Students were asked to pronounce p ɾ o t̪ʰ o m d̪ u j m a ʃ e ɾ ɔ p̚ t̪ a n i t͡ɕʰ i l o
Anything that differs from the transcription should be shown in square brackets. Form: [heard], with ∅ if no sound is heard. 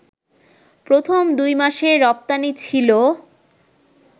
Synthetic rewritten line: p ɾ o t̪ʰ o m d̪ u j m a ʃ e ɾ ɔ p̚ t̪ a n i t͡ɕʰ i l o